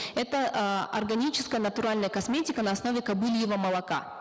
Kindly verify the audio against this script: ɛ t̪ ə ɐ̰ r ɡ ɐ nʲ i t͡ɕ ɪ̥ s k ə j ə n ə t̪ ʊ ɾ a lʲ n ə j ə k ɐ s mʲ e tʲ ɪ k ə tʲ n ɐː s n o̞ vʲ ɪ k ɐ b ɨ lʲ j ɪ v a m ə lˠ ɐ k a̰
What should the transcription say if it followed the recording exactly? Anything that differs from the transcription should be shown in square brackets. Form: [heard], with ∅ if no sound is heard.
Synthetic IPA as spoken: ɛ t̪ ə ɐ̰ r ɡ ɐ nʲ i t͡ɕ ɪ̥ s k ə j ə n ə t̪ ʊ ɾ a lʲ n ə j ə k ɐ s mʲ e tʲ ɪ k ə [∅] n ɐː s n o̞ vʲ ɪ k ɐ b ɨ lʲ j ɪ v [ə] m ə lˠ ɐ k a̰